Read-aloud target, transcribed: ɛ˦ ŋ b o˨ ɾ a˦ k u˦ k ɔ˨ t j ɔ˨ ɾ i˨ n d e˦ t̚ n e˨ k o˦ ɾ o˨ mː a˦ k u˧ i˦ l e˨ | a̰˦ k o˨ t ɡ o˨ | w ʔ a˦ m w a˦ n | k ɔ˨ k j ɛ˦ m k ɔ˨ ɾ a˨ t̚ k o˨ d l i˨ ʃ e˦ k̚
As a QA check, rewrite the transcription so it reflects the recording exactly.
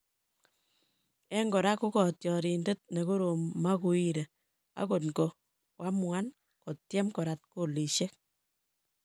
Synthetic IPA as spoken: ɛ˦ ŋ ɡ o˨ ɾ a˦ k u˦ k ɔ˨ t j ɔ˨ ɾ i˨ n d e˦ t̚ n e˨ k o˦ ɾ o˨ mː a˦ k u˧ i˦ ɾ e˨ | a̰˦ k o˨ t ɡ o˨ | w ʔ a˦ m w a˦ n | k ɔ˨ t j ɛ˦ m k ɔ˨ ɾ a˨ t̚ k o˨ l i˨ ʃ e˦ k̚